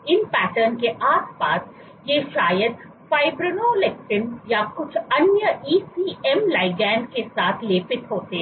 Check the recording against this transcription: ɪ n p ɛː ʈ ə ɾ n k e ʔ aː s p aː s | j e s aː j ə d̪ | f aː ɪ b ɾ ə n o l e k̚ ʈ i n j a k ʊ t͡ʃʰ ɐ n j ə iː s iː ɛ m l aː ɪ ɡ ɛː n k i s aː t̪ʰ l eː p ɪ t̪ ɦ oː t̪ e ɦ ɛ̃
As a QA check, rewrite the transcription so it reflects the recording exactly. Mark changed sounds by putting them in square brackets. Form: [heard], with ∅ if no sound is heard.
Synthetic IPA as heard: ɪ n p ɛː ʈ ə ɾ n k e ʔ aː s p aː s | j e [ʃ] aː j ə d̪ | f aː ɪ b ɾ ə n o l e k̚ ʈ [ɪ] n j a k ʊ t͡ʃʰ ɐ n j ə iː s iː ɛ m l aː ɪ ɡ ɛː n k [e] s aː t̪ʰ l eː p ɪ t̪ ɦ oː t̪ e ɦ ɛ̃